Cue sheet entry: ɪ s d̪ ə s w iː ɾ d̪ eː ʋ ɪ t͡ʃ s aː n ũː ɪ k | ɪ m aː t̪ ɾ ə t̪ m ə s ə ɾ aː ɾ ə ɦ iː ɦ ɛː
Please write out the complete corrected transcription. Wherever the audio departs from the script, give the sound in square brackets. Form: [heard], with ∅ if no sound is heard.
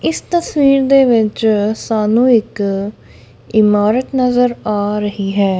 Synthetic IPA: ɪ s [t̪] ə s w iː ɾ d̪ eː ʋ ɪ t͡ʃ s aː n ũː ɪ k | ɪ m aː [∅] ɾ ə t̪ [n] ə [z] ə ɾ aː ɾ ə ɦ iː ɦ ɛː

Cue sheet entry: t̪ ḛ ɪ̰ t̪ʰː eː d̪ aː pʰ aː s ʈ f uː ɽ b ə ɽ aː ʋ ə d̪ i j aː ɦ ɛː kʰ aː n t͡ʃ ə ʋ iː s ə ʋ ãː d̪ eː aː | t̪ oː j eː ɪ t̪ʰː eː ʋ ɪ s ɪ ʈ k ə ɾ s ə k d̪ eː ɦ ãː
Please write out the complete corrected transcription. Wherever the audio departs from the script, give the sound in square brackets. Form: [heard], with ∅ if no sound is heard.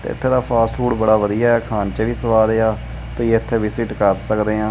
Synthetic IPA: t̪ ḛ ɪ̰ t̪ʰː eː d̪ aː pʰ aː s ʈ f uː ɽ b ə ɽ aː ʋ ə d̪ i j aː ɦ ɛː kʰ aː n t͡ʃ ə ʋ iː s ə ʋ [aː] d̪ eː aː | t̪ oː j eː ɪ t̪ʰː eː ʋ ɪ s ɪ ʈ k ə ɾ s ə k d̪ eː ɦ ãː

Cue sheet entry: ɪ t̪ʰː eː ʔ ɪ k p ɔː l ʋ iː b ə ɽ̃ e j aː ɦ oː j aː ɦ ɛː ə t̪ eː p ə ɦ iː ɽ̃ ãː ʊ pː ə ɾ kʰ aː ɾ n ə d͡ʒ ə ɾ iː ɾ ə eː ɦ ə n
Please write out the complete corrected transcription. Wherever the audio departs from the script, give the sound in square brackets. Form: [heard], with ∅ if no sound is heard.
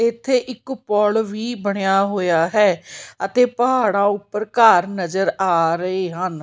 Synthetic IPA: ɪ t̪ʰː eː ʔ ɪ k p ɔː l ʋ iː b ə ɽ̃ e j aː ɦ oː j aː ɦ ɛː ə t̪ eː p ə ɦ [aː] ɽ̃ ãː ʊ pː ə ɾ [k] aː ɾ n ə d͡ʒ ə ɾ [aː] ɾ ə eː ɦ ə n

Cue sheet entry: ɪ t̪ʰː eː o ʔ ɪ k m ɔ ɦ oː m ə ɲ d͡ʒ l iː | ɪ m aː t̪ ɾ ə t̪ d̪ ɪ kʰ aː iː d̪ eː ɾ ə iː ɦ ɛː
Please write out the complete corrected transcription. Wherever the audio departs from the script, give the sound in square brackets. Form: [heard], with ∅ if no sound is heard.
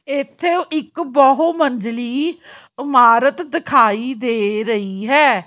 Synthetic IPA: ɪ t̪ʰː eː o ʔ ɪ k [b] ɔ ɦ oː m ə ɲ d͡ʒ l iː | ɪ m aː [∅] ɾ ə t̪ d̪ ɪ kʰ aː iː d̪ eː ɾ ə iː ɦ ɛː

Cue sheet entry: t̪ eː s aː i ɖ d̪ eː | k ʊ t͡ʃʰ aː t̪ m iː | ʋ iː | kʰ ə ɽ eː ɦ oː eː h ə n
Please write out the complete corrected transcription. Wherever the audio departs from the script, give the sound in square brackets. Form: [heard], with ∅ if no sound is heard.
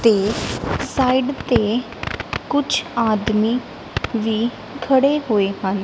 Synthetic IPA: t̪ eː s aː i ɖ [t̪] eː | k ʊ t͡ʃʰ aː [d̪] m iː | ʋ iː | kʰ ə ɽ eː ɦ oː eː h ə n

